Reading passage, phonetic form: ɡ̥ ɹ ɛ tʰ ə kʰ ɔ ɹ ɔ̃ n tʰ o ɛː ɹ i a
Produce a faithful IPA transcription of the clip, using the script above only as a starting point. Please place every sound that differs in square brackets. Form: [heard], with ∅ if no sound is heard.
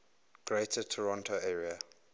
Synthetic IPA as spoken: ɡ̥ ɹ [e] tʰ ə [tʰ] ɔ ɹ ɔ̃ n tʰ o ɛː ɹ i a